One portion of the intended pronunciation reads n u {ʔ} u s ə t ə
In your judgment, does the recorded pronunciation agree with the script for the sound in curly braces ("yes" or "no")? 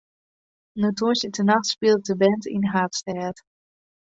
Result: no